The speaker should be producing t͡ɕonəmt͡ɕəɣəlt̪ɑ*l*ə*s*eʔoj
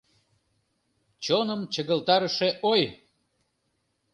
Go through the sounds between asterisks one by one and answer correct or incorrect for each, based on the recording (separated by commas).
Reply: incorrect, incorrect